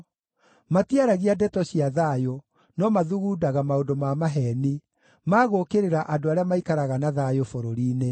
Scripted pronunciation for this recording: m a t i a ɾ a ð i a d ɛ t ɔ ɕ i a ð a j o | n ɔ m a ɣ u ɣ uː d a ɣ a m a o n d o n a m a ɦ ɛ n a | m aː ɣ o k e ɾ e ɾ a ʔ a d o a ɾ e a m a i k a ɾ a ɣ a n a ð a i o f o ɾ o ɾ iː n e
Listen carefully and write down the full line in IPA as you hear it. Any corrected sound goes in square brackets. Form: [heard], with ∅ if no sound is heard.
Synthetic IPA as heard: m a t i a ɾ a [ɣ] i a d ɛ t ɔ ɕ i a ð a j o | n ɔ m a [ð] u ɣ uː d a ɣ a m a o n d o [m] a m a ɦ ɛ n [i] | m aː ɣ o k e ɾ e ɾ a ʔ a d o a ɾ e a m a i k a ɾ a ɣ a n a ð a [j] o f o ɾ o ɾ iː n e